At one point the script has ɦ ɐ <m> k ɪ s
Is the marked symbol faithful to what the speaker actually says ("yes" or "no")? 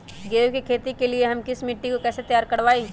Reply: yes